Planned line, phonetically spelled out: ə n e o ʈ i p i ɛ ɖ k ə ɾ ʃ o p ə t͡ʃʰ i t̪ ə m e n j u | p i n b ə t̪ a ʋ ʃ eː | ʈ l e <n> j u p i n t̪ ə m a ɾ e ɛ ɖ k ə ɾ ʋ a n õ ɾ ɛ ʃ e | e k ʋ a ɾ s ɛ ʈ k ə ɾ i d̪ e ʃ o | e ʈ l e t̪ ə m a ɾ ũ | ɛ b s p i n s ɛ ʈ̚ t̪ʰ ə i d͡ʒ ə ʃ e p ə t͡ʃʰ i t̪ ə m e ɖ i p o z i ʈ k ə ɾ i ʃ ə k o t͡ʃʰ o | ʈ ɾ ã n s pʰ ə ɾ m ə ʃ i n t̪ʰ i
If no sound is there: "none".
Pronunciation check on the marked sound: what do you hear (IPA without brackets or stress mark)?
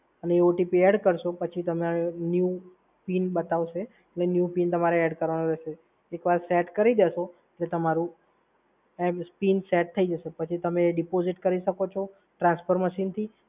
n